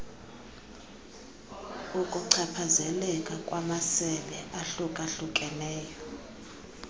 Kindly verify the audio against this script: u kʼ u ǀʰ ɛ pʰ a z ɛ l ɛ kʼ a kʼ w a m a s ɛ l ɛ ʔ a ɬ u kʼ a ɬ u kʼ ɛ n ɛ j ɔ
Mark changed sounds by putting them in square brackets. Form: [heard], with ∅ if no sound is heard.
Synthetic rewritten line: u kʼ u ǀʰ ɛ pʰ a z ɛ l ɛ kʼ a kʼ w a m a s ɛ l ɛ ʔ a ɬ u kʼ a ɬ u kʼ ɛ n [ɛː] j ɔ

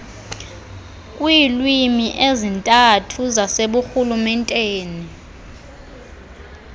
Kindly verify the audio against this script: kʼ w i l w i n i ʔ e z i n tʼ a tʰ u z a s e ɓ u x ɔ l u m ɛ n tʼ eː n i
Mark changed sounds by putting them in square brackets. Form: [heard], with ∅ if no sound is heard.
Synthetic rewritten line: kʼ w i l w i [m] i ʔ e z i n tʼ a tʰ u z a s e ɓ u x [u] l u m ɛ n tʼ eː n i

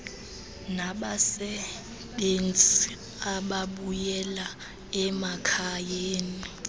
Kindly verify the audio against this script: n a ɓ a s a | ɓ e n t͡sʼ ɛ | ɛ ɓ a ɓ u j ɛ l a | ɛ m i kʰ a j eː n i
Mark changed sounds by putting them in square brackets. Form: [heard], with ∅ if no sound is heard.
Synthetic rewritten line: n a ɓ a s [ɛ] | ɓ e n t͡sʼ [i] | [a] ɓ a ɓ u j ɛ l a | ɛ m [a] kʰ a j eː n i

